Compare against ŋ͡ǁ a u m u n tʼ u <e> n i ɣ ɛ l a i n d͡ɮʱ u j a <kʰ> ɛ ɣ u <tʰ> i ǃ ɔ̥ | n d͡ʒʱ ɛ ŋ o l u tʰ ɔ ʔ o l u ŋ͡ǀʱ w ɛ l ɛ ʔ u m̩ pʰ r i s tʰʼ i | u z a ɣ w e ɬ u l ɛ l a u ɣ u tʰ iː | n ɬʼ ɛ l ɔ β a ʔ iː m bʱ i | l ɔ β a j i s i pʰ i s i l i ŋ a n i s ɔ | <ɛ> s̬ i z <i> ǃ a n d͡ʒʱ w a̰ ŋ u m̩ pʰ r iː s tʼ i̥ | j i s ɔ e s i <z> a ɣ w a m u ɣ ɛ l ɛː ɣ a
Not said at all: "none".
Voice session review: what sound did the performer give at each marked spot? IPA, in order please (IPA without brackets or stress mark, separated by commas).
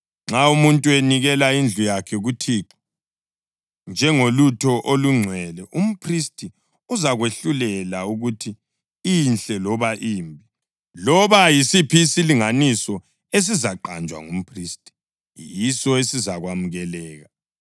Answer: e, kʰ, tʰ, e, a, z